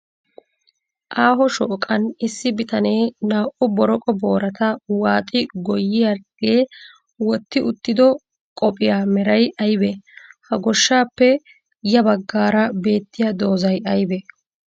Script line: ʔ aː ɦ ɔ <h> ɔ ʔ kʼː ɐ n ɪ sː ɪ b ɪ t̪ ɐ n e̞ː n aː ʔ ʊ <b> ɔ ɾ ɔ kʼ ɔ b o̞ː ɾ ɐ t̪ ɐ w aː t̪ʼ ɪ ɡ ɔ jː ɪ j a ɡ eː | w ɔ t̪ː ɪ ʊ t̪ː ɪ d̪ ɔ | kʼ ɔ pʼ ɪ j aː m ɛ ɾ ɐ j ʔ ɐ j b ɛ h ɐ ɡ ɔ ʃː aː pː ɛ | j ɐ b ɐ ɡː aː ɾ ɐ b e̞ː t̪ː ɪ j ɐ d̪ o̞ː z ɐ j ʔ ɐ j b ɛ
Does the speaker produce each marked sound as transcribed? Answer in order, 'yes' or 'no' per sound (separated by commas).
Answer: no, yes